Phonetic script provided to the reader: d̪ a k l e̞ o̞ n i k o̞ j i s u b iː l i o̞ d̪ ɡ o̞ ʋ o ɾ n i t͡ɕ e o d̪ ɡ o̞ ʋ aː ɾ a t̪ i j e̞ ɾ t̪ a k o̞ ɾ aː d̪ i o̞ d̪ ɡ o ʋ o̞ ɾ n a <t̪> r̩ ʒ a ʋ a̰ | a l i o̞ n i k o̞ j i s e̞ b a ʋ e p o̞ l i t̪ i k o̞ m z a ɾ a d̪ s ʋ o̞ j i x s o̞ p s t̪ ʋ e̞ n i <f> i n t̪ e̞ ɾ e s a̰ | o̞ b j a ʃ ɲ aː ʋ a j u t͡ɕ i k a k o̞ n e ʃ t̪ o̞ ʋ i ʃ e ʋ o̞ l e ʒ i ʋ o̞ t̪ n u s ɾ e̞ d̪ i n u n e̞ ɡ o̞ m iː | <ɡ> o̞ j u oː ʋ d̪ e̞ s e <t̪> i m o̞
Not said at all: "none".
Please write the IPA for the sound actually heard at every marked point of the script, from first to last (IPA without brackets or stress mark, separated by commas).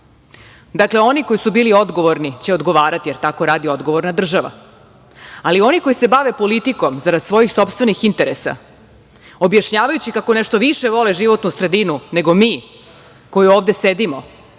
d̪, x, k, d̪